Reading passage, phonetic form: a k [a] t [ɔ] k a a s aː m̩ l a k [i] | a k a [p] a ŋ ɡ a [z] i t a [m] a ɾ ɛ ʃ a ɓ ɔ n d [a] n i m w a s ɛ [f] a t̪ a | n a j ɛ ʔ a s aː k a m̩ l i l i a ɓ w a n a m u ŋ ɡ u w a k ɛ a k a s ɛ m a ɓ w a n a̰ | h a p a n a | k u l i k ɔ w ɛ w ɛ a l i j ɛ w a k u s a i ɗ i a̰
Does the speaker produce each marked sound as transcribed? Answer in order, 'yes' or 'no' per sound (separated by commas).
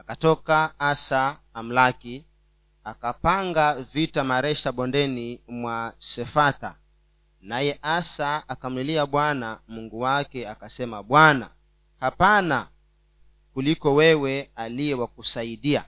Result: yes, yes, yes, yes, no, yes, no, yes